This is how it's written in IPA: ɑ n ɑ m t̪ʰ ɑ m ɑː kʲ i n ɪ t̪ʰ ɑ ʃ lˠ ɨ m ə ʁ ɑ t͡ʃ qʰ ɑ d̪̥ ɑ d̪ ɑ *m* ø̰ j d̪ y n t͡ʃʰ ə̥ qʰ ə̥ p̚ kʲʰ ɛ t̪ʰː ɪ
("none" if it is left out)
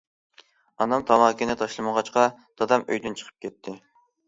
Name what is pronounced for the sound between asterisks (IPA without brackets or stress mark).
m